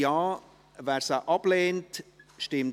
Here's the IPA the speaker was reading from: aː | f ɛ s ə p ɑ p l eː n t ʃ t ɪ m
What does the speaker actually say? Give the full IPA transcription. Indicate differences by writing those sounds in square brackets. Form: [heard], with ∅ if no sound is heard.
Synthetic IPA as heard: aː | [v] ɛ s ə [ʔ] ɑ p l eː n t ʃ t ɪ m